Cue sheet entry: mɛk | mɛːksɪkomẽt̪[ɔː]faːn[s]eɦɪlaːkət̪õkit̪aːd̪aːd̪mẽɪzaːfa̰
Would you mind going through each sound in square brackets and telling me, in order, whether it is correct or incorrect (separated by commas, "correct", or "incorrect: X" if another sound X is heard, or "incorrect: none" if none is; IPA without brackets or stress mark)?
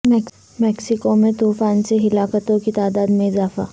incorrect: uː, correct